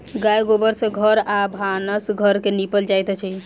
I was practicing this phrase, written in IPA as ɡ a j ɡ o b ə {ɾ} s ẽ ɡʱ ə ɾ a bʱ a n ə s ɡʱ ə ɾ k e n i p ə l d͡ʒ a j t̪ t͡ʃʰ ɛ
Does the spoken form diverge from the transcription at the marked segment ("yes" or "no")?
no